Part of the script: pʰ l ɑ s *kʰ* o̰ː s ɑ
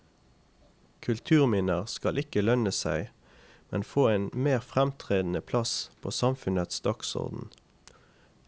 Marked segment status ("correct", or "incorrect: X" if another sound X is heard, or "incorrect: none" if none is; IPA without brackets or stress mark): incorrect: pʰ